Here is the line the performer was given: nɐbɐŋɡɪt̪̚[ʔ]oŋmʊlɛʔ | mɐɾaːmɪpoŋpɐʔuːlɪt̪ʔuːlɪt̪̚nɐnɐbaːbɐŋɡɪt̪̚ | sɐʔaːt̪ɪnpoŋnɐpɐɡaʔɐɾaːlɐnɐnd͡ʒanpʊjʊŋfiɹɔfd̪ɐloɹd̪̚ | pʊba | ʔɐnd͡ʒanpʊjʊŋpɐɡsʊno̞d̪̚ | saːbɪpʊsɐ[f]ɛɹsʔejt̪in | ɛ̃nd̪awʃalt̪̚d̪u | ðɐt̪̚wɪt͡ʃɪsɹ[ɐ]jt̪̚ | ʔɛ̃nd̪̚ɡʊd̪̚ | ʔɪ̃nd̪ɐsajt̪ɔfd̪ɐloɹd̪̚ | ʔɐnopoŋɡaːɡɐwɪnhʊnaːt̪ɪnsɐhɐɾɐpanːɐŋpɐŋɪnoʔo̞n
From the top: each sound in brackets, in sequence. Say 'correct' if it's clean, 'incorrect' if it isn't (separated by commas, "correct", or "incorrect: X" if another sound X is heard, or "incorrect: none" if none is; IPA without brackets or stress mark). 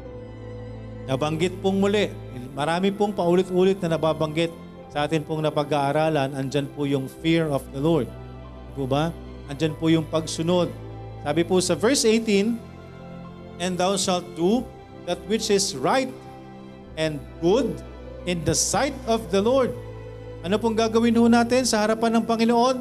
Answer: incorrect: p, incorrect: v, incorrect: a